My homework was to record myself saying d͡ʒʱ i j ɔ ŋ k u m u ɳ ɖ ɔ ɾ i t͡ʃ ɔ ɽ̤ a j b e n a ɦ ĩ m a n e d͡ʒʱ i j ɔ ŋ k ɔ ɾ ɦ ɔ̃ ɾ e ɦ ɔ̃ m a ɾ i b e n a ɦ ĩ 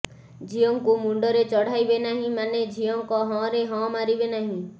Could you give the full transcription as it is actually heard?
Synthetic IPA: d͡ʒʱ i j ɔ ŋ k u m u ɳ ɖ ɔ ɾ e t͡ʃ ɔ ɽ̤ a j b e n a ɦ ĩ m a n e d͡ʒʱ i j ɔ ŋ k ɔ ɦ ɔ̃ ɾ e ɦ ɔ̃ m a ɾ i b e n a ɦ ĩ